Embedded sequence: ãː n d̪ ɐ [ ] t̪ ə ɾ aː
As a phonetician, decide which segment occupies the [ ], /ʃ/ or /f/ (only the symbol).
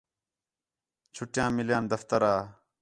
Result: f